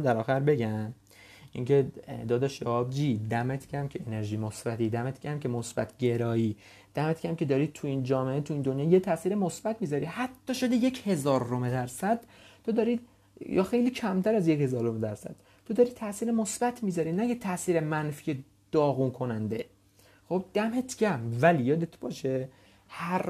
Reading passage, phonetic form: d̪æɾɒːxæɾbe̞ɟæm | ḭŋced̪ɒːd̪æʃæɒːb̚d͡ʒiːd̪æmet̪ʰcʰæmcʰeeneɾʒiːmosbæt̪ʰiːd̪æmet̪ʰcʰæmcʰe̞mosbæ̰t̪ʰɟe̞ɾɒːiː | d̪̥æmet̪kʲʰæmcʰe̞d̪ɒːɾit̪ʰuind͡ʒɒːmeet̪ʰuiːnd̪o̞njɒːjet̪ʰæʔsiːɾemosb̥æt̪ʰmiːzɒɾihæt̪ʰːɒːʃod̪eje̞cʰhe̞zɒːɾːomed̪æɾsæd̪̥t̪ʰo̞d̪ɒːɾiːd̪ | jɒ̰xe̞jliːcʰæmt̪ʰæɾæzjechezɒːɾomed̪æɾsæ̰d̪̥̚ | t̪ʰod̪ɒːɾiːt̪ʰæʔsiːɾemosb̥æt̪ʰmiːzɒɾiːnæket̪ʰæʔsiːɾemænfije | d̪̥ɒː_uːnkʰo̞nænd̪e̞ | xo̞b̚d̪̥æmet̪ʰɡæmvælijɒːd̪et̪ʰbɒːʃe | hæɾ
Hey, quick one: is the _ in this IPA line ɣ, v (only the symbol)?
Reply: ɣ